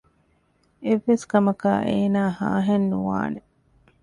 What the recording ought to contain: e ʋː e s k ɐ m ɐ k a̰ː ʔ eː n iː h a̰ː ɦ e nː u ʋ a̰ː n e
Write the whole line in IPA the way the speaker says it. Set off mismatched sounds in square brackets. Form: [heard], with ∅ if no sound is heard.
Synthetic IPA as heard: e ʋː e s k ɐ m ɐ k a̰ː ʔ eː n [aː] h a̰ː ɦ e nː u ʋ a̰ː n e